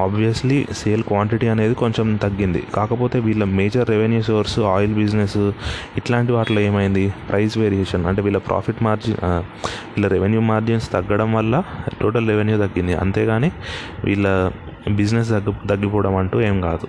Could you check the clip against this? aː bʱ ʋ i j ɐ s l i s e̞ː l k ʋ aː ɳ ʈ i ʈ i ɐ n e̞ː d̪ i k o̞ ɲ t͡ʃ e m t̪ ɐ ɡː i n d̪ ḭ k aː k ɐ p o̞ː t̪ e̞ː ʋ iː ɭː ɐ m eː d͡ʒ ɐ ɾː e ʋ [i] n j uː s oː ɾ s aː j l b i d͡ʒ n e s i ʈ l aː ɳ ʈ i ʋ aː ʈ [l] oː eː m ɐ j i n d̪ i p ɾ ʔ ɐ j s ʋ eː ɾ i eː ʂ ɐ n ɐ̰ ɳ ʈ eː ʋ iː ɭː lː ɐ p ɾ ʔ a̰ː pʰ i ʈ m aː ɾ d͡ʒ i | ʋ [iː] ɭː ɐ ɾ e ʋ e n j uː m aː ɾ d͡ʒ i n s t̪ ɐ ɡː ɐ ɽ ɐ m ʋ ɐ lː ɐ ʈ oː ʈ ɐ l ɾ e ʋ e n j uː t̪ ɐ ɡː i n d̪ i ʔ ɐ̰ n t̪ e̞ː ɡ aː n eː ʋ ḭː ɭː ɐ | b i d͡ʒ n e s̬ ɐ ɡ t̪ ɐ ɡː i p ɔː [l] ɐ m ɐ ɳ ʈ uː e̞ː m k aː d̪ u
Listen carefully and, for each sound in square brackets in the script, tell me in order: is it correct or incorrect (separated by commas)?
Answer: incorrect, correct, correct, incorrect